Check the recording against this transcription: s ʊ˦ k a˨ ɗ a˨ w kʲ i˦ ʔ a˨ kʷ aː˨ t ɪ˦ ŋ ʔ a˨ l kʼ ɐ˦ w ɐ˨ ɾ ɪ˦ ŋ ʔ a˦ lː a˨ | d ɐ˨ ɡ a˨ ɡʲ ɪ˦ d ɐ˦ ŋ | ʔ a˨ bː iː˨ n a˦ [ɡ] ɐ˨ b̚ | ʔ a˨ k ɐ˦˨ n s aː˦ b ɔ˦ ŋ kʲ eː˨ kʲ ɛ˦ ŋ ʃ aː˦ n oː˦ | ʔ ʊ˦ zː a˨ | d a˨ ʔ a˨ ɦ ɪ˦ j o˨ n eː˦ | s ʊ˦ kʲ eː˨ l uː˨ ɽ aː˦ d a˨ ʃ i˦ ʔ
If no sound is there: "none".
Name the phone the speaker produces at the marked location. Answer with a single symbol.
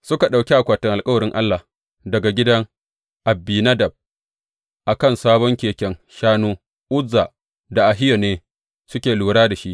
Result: d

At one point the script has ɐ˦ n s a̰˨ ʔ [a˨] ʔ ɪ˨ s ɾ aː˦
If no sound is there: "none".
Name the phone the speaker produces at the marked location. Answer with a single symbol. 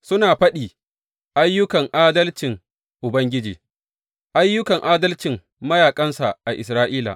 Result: a˨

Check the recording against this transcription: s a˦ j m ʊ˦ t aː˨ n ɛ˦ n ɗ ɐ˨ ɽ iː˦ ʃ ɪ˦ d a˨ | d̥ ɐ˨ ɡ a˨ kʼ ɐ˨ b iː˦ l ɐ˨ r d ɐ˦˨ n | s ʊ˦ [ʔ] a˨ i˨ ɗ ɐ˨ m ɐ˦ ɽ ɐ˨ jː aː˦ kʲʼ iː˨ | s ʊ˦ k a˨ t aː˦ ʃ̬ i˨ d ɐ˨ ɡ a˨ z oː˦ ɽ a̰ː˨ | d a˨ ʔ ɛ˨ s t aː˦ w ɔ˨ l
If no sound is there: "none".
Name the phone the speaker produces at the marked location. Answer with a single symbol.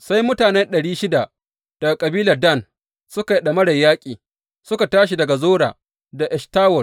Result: k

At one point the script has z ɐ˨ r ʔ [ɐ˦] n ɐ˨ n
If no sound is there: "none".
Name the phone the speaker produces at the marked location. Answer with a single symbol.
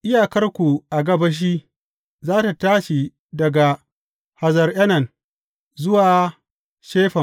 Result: ɐ˦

